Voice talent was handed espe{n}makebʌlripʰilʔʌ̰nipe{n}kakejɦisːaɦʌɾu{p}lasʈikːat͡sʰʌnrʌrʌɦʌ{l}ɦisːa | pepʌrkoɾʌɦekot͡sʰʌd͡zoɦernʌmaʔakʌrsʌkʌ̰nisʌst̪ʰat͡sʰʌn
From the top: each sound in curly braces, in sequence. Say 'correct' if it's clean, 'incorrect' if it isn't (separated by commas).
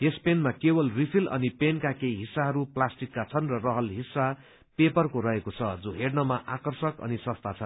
correct, correct, correct, correct